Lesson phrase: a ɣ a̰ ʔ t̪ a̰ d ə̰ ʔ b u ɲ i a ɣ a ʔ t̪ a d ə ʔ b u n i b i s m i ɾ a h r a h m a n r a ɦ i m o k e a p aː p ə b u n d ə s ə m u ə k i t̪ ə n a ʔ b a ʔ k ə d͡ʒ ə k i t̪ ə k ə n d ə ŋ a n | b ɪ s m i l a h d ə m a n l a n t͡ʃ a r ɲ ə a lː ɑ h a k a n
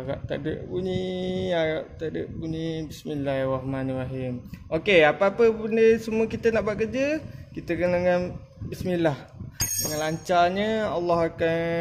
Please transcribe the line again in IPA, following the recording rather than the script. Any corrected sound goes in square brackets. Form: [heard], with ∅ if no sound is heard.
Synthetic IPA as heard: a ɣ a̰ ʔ t̪ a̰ d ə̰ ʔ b u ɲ i a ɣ a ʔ t̪ a d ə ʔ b u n i b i s m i [l] a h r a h m a n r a ɦ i m o k e a p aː p ə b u n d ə s ə m u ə k i t̪ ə n a ʔ b a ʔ k ə d͡ʒ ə k i t̪ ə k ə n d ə ŋ a n | b [i] s m i l a h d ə [ŋ] a n l a [ɲ] t͡ʃ a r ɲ ə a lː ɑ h a k a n